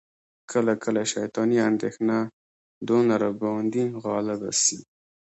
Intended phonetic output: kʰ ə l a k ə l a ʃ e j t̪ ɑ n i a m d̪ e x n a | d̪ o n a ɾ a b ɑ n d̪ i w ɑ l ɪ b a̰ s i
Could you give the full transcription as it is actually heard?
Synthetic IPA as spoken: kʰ ə l a k ə l a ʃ a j t̪ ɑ n i a n d̪ e x n a | d̪ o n a ɾ a b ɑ n d̪ i ɣ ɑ l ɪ b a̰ s i